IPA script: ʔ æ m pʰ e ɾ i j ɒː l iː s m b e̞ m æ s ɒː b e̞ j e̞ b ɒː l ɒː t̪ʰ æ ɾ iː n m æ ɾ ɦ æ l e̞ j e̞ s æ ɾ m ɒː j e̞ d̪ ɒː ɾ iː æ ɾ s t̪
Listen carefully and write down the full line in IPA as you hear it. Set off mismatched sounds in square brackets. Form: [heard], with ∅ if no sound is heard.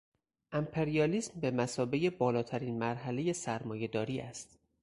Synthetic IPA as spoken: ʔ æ m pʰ e ɾ i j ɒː l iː s m b e̞ m æ s ɒː b e̞ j e̞ b ɒː l ɒː t̪ʰ æ ɾ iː n m æ ɾ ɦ æ l e̞ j e̞ s æ ɾ m ɒː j e̞ d̪ ɒː ɾ iː æ [∅] s t̪